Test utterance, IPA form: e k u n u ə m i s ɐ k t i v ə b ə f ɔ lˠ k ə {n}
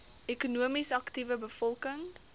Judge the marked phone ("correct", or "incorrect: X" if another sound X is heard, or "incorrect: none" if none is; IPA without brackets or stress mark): incorrect: ŋ